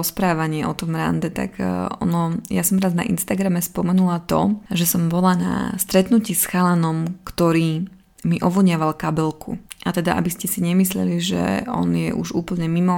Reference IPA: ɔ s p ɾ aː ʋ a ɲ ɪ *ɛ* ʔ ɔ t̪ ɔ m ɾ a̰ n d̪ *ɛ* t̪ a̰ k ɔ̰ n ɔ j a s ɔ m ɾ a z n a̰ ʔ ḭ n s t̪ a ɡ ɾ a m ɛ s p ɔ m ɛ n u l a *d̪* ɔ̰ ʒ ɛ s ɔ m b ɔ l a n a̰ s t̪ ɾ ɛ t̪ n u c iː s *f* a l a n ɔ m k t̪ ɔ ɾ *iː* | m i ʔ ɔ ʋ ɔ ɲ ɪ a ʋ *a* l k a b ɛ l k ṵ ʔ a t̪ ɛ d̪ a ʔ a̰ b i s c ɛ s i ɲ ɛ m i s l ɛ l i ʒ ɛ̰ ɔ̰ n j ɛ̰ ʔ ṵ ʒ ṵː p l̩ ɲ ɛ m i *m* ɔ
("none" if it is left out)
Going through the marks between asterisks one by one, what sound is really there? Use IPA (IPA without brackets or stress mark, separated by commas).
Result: ɛ, ɛ, t̪, x, iː, a, m